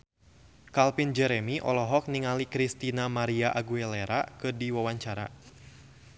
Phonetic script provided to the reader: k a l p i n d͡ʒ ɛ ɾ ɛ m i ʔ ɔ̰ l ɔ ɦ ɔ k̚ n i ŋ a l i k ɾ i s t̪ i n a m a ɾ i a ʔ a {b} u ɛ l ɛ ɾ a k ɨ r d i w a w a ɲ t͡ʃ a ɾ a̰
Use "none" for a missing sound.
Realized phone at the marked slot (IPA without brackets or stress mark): ɡ